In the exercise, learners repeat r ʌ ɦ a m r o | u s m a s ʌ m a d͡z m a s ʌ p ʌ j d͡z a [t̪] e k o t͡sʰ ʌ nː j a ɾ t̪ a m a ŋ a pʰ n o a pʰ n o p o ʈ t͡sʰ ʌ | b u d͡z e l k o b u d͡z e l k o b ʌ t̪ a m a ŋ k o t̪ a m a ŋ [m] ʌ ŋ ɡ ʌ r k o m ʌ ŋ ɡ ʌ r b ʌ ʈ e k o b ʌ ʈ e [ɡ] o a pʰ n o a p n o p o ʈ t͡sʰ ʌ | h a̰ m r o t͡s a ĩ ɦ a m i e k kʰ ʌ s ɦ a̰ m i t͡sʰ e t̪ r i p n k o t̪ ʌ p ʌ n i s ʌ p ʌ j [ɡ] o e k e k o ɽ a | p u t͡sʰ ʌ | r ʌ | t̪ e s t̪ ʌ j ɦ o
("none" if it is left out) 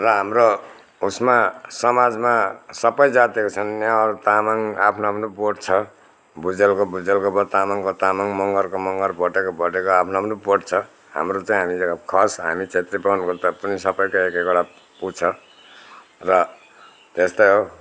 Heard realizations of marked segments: t̪, m, k, k

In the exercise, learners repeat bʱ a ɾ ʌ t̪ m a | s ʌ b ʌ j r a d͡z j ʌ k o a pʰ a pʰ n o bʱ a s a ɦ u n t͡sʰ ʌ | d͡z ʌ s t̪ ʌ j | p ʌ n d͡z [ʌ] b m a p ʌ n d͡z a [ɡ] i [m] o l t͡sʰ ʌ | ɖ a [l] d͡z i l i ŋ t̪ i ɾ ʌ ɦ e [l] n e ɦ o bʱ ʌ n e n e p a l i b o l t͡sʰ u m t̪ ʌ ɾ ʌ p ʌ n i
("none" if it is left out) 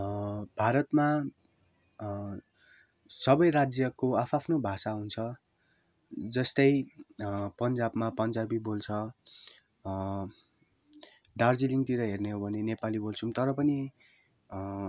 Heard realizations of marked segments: a, b, b, r, r

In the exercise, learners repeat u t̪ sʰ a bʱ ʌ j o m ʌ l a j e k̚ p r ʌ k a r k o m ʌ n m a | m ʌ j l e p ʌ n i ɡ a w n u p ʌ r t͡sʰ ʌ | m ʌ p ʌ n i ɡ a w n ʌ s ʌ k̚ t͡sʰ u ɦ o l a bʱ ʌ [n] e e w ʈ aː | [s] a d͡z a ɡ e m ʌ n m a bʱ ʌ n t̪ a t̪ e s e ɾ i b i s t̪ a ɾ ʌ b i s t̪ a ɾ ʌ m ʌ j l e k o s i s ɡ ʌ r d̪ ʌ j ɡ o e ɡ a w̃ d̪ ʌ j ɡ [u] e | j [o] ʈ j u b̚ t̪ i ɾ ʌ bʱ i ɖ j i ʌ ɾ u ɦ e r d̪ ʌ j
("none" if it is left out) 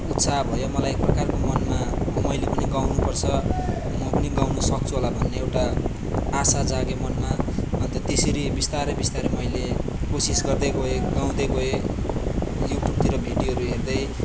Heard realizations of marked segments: nː, s, o, u

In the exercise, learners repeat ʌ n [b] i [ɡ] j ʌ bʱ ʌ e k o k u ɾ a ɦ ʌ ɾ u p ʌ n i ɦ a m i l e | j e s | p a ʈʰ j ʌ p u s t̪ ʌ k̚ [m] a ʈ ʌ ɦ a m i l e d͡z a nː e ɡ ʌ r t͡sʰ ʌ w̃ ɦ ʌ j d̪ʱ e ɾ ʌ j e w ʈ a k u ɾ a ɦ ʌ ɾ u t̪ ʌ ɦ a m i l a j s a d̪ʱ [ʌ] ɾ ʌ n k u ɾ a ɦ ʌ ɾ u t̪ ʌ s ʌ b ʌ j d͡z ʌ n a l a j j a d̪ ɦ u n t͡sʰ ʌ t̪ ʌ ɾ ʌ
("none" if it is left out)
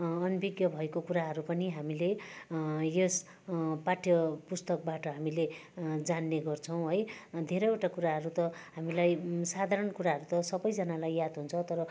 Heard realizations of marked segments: b, ɡ, b, a

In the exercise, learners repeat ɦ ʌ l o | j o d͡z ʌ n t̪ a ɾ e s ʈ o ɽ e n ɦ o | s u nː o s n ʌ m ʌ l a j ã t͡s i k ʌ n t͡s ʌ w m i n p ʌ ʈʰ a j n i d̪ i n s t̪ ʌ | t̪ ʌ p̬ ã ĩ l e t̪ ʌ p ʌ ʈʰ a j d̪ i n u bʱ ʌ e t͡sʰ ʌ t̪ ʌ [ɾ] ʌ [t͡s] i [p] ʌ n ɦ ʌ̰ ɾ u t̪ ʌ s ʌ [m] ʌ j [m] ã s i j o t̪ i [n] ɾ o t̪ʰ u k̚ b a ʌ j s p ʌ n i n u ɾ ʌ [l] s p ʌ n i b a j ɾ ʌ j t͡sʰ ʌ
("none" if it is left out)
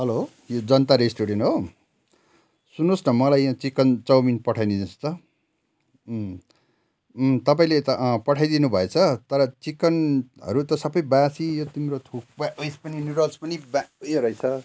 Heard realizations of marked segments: ɾ, t͡s, k, b, b, m, l

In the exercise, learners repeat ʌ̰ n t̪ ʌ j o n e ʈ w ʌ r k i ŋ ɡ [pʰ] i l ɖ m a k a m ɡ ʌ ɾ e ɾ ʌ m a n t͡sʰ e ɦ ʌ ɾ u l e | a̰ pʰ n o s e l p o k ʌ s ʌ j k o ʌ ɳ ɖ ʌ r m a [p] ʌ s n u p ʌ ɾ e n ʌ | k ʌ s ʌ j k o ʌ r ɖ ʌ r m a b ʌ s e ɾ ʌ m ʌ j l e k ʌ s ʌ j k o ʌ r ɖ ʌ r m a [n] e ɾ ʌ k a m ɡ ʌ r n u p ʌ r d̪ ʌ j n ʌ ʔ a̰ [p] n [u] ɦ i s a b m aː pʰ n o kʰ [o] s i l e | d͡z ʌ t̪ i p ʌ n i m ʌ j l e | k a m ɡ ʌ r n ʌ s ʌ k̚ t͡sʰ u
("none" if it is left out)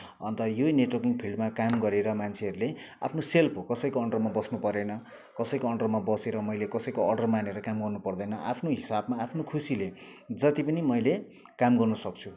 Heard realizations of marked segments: pʰ, b, n, pʰ, o, u

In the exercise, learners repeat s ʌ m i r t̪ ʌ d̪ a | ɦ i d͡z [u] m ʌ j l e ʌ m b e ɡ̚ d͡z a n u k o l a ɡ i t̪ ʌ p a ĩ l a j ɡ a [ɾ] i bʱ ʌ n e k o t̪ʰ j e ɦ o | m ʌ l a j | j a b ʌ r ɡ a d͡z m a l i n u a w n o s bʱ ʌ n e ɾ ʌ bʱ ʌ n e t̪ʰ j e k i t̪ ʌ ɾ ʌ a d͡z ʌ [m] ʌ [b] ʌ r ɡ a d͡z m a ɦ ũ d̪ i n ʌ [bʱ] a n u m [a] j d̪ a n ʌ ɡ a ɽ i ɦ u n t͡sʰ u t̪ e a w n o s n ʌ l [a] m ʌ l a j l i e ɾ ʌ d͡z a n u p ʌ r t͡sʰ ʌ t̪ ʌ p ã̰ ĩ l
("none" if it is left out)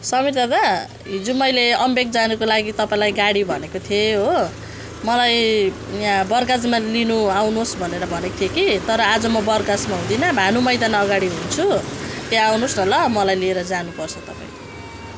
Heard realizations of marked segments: u, ɽ, m, b, bʱ, ʌ, ʌ

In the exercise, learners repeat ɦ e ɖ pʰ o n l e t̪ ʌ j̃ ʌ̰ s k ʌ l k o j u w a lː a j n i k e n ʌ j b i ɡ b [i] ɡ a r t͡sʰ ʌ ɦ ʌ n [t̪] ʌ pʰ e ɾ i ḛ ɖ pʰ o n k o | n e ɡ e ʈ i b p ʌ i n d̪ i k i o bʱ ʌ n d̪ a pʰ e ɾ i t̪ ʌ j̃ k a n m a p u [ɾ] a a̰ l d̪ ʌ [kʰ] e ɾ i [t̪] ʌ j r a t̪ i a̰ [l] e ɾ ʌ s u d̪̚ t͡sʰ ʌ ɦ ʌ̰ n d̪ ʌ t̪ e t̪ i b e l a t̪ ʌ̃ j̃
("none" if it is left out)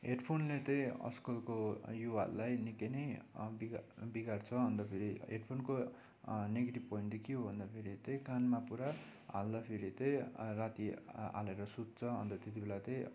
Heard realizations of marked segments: i, d̪, ɾ, pʰ, t̪, l

